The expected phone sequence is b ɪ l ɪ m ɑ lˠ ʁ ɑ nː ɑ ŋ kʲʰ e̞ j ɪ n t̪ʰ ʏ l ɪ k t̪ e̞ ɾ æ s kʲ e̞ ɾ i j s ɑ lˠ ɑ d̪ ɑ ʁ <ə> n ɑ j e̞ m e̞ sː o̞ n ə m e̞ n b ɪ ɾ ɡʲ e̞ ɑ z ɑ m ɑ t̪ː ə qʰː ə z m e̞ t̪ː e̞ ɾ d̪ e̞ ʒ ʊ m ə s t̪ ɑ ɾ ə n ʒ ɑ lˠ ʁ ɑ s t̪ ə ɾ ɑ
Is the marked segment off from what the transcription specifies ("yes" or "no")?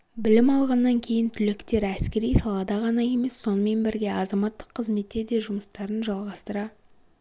yes